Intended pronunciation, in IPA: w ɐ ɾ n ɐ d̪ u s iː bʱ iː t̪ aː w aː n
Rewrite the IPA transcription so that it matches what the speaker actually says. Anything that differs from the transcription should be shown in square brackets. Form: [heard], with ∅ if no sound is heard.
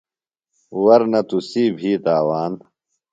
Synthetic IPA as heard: w ɐ ɾ n ɐ [t̪] u s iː bʱ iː t̪ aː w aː n